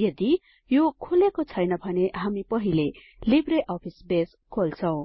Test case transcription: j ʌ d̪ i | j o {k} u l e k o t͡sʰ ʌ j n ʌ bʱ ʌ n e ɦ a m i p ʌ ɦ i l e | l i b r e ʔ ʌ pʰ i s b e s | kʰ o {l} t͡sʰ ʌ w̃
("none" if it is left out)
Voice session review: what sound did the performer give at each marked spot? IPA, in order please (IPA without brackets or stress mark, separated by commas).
kʰ, l